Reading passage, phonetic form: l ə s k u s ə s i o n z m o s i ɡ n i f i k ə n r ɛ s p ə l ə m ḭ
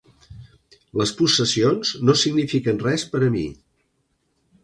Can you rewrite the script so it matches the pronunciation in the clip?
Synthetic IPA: l ə s p u s ə s i o n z n o s i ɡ n i f i k ə n r ɛ s p ə ɾ ə m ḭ